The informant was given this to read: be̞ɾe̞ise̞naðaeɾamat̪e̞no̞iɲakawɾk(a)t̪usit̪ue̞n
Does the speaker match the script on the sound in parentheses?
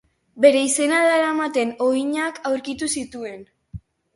no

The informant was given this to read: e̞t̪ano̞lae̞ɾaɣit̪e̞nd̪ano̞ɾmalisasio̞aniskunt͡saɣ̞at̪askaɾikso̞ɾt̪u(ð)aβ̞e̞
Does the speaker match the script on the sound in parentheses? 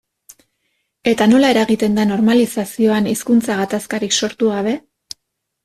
no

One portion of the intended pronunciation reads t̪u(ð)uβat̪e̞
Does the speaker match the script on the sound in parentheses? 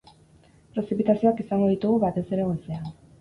no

